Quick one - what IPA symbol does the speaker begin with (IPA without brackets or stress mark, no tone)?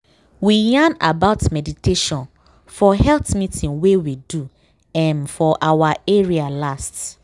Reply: w